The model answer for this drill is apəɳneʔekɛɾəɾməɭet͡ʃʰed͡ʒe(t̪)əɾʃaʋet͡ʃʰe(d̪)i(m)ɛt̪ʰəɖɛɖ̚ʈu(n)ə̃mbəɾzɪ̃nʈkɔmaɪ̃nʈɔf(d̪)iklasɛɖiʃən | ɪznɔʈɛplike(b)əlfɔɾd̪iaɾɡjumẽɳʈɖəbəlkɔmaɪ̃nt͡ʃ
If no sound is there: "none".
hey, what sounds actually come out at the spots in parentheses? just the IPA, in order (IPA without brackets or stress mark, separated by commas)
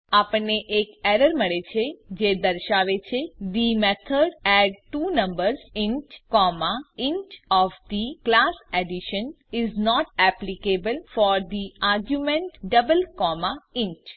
d̪, d̪, m, n, d̪, b